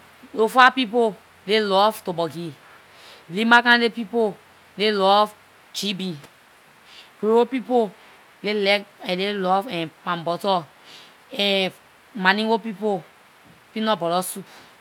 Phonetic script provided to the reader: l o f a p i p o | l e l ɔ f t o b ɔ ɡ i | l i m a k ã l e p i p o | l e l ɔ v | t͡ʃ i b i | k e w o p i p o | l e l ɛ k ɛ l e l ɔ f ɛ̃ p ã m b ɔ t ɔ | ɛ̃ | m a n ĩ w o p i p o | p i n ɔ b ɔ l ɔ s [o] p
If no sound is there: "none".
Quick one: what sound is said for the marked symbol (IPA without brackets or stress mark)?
u